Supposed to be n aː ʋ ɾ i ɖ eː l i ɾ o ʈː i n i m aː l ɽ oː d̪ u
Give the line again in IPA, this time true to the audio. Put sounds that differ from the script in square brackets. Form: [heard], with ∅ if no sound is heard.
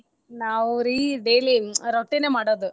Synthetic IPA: n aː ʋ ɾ i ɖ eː l i ɾ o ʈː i n [e] m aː [∅] ɽ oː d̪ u

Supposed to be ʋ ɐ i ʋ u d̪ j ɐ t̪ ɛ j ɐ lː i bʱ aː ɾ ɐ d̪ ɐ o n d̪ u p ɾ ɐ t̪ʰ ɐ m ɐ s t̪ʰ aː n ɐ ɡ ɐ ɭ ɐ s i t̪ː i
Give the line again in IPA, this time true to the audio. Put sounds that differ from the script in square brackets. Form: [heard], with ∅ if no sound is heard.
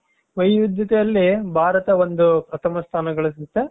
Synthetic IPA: ʋ ɐ [j] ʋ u d̪ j ɐ t̪ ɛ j ɐ lː i bʱ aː ɾ ɐ [t̪] ɐ o n d̪ u p ɾ ɐ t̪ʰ ɐ m ɐ s t̪ʰ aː n ɐ ɡ ɐ ɭ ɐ s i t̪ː [e]

